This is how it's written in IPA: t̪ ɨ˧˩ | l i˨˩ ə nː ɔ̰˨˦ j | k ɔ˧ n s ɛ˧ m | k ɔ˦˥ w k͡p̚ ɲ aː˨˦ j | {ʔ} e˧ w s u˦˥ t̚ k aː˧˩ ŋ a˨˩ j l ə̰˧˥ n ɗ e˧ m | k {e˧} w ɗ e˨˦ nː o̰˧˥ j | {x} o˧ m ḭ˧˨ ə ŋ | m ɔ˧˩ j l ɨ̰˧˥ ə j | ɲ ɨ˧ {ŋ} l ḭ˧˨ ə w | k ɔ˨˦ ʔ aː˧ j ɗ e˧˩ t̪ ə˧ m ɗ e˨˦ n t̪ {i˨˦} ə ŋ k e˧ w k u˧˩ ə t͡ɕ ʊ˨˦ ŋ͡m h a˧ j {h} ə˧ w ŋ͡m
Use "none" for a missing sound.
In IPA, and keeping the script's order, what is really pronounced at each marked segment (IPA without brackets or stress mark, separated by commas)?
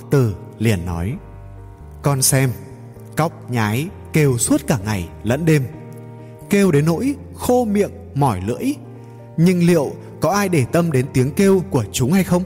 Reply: k, e˧, x, ŋ, i˨˦, x